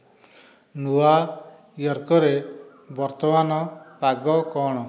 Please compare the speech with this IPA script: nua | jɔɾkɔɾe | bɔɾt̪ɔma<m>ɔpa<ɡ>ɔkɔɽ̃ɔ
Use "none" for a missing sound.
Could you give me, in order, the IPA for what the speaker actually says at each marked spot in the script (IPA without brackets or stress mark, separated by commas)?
n, ɡ